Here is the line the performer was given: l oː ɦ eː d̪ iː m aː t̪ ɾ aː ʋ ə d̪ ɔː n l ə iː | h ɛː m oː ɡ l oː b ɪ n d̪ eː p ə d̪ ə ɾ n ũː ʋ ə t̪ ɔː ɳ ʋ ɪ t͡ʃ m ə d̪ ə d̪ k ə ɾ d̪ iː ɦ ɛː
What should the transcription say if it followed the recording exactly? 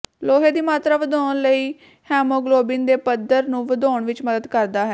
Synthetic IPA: l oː ɦ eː d̪ iː m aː t̪ ɾ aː ʋ ə d̪ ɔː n l ə iː | h ɛː m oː ɡ l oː b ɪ n d̪ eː p ə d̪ ə ɾ n ũː ʋ ə d̪ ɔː ɳ ʋ ɪ t͡ʃ m ə d̪ ə d̪ k ə ɾ d̪ aː ɦ ɛː